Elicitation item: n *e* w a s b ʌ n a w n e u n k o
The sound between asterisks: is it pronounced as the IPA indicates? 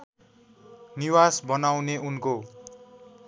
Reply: no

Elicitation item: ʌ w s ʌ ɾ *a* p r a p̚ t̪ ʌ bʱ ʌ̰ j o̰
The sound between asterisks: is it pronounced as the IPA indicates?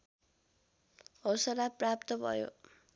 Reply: yes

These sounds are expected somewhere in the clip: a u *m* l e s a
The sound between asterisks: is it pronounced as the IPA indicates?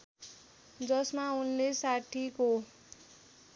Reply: no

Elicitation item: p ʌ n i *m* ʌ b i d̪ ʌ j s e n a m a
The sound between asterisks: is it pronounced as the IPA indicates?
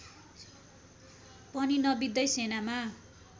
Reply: no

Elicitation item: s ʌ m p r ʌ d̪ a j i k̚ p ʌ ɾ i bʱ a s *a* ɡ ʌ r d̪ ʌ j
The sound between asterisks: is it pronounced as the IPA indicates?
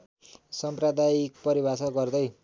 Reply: no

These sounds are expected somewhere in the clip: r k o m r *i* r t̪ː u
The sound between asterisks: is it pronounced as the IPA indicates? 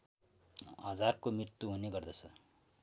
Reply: yes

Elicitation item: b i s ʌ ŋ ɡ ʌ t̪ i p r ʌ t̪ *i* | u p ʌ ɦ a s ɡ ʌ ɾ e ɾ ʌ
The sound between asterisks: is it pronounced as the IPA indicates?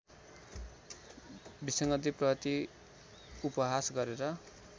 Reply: yes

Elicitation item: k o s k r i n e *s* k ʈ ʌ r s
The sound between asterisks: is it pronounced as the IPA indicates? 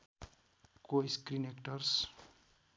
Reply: no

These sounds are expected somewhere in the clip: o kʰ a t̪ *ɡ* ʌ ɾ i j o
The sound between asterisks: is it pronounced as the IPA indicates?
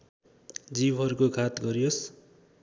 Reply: yes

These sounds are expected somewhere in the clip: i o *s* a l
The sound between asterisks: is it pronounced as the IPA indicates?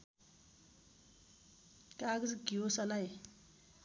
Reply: yes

